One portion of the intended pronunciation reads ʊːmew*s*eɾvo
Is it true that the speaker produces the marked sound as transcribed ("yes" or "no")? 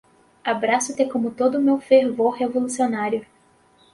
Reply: no